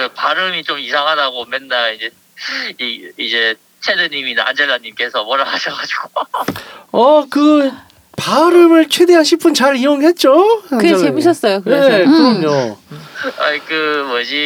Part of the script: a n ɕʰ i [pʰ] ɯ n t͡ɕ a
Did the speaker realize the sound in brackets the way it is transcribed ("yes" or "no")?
yes